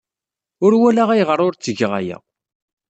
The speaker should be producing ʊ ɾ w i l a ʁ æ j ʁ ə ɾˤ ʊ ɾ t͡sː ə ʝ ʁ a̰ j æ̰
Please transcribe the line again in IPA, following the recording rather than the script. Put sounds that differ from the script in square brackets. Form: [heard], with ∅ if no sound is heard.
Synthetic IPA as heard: ʊ ɾ w [æ] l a ʁ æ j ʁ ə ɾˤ ʊ ɾ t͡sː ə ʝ ʁ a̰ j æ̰